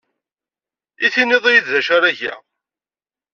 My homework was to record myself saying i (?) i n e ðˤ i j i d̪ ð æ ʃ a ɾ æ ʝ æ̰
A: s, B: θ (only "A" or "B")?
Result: B